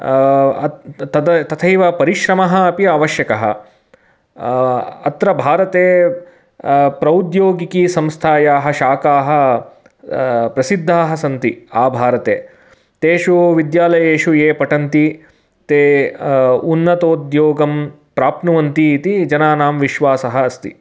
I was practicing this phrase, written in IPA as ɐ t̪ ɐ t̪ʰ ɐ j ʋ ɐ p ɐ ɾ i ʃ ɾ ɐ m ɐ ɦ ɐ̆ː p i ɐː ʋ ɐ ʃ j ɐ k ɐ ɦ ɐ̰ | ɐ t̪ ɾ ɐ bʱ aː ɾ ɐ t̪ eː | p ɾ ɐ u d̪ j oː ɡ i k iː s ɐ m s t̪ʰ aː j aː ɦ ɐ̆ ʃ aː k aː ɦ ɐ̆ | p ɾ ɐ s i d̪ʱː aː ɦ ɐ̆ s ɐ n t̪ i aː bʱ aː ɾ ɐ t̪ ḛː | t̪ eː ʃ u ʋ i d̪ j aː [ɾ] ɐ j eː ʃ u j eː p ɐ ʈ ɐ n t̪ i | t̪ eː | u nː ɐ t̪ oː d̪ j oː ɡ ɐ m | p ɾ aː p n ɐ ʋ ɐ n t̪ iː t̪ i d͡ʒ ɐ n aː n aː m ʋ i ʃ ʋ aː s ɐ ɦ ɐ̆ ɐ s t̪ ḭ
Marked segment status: incorrect: l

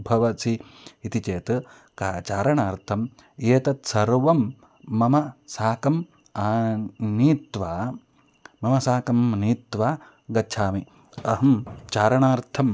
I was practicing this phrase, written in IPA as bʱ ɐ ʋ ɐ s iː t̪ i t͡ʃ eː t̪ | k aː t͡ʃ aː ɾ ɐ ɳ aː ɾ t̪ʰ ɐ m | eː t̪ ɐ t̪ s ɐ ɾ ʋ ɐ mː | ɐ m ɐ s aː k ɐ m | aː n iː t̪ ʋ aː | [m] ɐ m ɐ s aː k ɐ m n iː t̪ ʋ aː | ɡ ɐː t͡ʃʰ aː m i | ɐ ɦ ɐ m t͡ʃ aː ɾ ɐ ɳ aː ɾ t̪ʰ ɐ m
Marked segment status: correct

